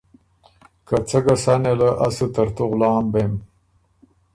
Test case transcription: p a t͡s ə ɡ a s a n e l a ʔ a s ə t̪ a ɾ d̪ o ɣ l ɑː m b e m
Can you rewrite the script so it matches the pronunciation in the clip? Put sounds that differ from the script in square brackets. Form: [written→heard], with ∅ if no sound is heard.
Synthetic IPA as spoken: [p→k] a t͡s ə ɡ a s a n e l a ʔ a s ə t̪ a ɾ [d̪→t̪] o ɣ l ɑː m b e m